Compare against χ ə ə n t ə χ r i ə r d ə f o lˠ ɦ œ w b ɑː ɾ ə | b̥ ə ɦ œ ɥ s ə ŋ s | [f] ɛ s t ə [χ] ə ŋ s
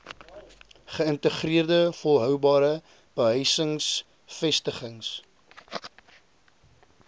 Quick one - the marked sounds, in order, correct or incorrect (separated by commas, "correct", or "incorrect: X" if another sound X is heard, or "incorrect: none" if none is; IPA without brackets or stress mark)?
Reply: correct, correct